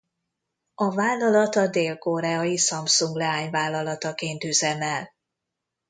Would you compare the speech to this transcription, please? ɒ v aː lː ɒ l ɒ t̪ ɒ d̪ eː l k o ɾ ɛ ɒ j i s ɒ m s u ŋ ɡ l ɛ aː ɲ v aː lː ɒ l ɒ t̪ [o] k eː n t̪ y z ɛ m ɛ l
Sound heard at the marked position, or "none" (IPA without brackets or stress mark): ɒ